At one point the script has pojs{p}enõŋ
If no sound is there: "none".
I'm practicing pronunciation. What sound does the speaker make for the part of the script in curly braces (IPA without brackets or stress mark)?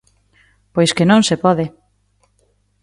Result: k